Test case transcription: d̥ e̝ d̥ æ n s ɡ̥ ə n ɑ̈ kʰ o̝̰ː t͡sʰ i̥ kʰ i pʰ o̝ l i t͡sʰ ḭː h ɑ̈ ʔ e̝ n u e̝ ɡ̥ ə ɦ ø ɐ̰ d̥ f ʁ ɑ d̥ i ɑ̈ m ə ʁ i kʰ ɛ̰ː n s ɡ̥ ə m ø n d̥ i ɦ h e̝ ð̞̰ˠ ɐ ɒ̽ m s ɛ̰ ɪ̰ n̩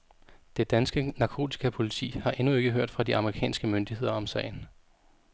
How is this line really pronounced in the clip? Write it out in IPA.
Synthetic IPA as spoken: d̥ e̝ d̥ æ n s ɡ̥ ə n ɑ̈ kʰ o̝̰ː t͡sʰ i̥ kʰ æ pʰ o̝ l i t͡sʰ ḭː h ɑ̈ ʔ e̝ n u e̝ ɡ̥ ə ɦ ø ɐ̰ d̥ f ʁ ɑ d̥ i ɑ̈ m ə ʁ i kʰ ɛ̰ː n s ɡ̥ ə m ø n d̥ i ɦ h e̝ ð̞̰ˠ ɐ ɒ̽ m s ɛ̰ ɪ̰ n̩